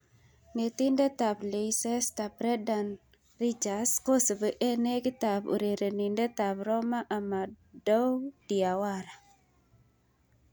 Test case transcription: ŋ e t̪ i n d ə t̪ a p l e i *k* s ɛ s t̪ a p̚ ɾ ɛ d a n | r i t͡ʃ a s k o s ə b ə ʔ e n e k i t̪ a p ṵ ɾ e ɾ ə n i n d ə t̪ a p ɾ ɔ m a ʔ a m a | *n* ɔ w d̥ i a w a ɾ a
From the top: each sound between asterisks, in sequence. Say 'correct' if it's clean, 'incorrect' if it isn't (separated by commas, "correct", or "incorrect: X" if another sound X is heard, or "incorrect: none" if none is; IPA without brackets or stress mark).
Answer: incorrect: none, incorrect: d